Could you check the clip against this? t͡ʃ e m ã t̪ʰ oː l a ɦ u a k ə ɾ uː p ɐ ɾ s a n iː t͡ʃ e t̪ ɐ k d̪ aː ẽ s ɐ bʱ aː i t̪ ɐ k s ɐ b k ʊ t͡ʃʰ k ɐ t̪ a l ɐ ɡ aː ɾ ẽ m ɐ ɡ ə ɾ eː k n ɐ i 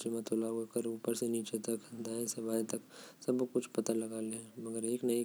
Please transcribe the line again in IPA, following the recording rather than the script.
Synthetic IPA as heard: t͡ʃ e m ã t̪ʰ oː l a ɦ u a k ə ɾ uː p ə ɾ s e n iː t͡ʃ e t̪ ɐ k d̪ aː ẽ s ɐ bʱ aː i t̪ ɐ k s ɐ b k ʊ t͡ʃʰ p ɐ t̪ a l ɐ ɡ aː l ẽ m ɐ ɡ ə ɾ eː k n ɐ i